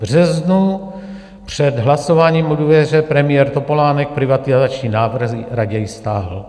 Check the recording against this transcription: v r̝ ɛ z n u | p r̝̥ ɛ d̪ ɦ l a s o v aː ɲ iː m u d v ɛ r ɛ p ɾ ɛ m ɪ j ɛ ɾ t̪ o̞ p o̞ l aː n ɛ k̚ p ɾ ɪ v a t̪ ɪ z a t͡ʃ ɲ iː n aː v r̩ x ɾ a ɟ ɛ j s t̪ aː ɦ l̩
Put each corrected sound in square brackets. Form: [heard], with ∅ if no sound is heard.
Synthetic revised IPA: v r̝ ɛ z n u | p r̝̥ ɛ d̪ ɦ l a s o v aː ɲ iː m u d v ɛ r ɛ p ɾ ɛ m ɪ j ɛ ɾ t̪ o̞ p o̞ l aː n ɛ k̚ p ɾ ɪ v a t̪ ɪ z a t͡ʃ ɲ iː n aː v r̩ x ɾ a ɟ ɛ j s t̪ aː ɦ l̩